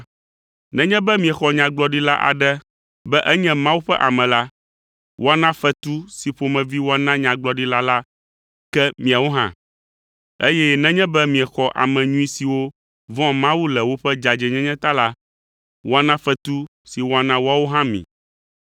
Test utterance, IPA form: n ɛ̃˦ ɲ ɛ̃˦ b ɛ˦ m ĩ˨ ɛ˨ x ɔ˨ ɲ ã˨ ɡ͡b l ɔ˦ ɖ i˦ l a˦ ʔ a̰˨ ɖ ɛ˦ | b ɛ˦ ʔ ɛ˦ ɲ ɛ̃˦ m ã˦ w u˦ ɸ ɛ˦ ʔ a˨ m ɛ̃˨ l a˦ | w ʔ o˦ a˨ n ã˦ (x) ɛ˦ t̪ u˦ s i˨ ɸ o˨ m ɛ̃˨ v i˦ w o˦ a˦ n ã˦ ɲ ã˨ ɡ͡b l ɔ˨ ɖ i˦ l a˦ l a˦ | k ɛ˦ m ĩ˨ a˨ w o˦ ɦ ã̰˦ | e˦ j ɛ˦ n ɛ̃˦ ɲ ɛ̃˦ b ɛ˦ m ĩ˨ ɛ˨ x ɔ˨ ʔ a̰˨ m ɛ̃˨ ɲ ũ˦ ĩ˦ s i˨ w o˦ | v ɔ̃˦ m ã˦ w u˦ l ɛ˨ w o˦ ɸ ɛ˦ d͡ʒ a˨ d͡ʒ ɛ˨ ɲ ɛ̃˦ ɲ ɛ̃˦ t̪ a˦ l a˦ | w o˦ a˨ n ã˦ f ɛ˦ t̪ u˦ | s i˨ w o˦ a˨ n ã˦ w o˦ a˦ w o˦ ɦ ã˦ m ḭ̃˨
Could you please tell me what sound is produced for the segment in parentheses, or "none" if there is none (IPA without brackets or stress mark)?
f